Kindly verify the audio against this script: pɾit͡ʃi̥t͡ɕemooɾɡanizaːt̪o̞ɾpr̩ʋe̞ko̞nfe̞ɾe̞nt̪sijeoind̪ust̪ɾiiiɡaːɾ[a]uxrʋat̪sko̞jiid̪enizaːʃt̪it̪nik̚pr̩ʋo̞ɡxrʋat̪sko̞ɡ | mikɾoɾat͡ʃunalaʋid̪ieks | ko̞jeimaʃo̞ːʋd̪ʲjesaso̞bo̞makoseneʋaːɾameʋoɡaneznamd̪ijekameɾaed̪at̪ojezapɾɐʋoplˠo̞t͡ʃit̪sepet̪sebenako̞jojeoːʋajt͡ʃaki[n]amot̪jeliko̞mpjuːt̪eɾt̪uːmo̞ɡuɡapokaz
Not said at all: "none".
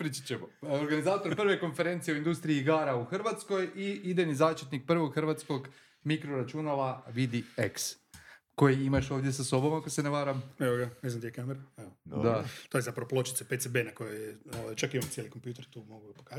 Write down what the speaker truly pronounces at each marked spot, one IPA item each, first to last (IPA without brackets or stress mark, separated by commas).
a, m